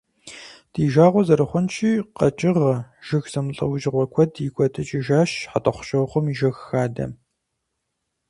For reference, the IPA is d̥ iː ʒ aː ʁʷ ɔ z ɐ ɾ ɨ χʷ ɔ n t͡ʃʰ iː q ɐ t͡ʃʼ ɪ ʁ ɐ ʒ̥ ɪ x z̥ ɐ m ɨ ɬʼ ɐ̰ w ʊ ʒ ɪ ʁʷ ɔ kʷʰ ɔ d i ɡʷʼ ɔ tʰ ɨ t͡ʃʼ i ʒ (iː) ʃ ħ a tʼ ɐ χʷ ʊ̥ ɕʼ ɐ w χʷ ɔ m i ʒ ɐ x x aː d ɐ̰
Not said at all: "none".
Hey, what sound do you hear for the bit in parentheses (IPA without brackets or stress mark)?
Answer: aː